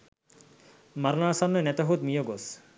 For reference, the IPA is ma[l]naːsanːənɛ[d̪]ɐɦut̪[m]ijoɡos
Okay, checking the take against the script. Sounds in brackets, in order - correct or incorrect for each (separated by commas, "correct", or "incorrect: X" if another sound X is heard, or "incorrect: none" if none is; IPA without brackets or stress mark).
incorrect: ɾ, incorrect: t̪, correct